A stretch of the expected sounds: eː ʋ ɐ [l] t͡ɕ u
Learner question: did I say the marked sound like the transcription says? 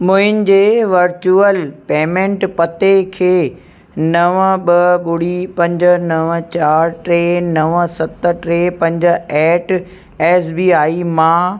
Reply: no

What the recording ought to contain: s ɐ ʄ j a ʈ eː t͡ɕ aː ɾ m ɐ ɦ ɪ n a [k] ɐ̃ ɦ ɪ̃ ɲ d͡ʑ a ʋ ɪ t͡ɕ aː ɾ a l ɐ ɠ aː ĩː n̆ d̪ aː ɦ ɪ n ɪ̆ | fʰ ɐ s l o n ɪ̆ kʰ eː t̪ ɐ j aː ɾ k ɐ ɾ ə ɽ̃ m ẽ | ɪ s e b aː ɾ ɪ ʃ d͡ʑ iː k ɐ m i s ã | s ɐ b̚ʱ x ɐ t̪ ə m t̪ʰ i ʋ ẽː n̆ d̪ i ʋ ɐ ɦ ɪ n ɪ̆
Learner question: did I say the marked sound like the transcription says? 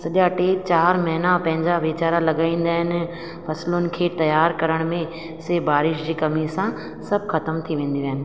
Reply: no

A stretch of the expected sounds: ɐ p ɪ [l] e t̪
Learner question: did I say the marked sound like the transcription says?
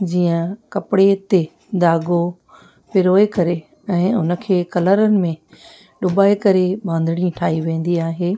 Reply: no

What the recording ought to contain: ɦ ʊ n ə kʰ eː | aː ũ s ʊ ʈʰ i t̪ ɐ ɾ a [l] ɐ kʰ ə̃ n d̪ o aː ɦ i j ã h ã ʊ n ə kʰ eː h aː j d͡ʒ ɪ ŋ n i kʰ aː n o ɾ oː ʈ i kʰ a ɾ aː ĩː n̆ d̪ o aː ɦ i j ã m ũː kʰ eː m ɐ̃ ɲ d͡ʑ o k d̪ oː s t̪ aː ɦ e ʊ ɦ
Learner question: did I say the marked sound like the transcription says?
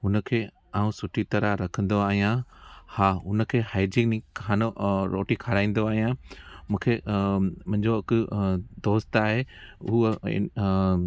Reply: no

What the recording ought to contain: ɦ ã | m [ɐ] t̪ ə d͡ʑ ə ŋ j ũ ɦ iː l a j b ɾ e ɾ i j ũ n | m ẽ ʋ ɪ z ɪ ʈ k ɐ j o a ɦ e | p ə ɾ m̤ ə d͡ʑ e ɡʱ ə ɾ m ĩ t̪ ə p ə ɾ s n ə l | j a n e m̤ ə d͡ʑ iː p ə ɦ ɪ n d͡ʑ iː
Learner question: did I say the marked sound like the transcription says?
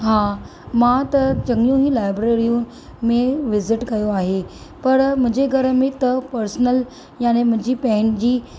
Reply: no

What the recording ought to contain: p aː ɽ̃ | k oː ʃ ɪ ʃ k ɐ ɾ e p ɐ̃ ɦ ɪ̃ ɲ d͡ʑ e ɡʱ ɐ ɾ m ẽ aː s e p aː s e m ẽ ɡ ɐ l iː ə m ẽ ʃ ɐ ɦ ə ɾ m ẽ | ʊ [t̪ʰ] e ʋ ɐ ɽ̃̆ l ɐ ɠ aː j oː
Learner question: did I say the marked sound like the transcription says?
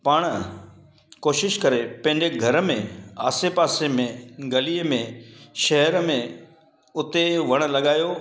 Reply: no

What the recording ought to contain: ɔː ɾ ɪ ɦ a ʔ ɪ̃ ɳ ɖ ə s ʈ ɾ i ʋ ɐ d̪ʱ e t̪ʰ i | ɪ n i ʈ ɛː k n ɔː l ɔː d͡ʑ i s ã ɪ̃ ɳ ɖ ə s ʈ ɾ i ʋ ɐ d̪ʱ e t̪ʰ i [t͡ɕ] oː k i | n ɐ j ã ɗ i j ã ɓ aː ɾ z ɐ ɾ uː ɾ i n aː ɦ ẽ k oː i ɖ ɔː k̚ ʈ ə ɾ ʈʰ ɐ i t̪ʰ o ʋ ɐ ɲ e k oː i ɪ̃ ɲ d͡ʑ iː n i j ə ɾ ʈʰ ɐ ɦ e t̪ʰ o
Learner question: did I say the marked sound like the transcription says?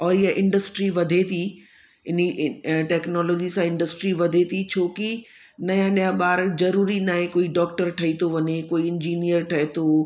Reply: no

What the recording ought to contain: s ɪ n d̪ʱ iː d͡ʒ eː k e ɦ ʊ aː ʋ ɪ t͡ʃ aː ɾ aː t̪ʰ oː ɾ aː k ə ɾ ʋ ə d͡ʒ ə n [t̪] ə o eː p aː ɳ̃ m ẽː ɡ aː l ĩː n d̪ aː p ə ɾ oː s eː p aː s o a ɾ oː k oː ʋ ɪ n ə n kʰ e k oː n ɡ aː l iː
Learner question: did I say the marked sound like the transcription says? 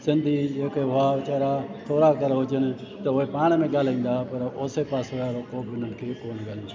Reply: yes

